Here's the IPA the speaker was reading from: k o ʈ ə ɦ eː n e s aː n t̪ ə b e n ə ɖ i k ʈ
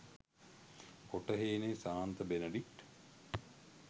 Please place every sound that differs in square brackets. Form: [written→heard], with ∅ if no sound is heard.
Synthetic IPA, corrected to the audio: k o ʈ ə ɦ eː n e s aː n t̪ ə b e n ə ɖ i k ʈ